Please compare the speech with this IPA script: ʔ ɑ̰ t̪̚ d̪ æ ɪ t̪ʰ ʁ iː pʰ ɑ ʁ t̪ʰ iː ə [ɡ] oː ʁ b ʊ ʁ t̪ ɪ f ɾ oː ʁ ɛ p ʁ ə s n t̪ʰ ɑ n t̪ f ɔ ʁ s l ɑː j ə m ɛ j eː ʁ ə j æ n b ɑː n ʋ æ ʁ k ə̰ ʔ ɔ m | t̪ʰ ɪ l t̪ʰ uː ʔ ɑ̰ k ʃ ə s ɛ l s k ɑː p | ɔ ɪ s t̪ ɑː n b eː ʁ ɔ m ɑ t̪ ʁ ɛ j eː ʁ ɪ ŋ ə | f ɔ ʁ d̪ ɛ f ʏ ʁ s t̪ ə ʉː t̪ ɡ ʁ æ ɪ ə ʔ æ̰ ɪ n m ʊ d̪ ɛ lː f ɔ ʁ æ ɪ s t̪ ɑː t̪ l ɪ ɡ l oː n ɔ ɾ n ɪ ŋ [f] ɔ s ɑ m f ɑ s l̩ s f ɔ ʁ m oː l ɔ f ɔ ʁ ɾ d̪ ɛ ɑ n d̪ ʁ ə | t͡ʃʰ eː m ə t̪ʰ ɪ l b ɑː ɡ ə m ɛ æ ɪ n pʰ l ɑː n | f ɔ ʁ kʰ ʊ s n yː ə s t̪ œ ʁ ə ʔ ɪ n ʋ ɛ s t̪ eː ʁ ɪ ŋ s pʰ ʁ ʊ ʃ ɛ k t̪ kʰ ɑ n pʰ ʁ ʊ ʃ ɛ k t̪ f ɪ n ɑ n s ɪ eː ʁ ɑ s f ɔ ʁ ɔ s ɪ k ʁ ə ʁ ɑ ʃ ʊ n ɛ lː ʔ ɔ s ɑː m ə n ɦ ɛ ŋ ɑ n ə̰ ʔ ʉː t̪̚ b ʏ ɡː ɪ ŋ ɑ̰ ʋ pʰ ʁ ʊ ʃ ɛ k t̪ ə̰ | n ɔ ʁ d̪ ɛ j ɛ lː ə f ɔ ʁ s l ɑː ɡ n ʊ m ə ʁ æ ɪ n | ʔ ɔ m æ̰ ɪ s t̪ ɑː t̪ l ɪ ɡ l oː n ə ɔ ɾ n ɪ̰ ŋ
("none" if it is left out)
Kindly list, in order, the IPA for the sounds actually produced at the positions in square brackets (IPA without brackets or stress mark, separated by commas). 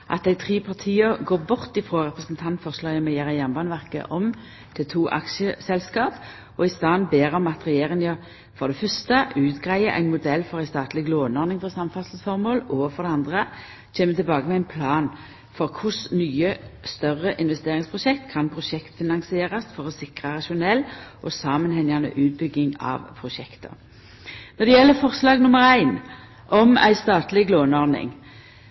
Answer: ɡ, f